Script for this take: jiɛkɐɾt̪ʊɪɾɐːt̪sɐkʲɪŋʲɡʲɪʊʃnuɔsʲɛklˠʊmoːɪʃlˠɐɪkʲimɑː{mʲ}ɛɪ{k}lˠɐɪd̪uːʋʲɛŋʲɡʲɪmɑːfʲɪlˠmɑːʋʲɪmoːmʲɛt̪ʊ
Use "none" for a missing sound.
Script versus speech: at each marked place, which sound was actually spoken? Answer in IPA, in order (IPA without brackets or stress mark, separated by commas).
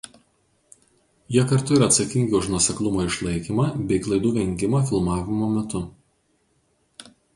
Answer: bʲ, k